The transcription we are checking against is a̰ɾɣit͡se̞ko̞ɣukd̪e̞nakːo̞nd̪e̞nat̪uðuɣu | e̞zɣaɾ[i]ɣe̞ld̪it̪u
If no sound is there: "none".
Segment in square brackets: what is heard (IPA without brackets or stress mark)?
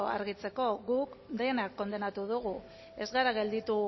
a